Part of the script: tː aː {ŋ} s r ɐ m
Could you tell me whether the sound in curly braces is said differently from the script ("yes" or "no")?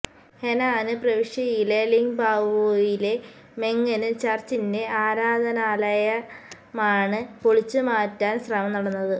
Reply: yes